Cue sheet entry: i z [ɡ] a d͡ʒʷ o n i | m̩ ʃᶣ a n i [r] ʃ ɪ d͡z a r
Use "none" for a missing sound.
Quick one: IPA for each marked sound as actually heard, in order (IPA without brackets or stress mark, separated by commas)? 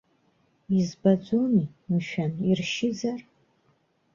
b, r